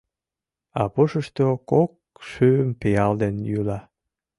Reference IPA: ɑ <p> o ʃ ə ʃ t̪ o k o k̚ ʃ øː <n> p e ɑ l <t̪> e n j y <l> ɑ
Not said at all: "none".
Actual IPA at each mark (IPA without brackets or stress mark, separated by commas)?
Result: p, m, d̪, l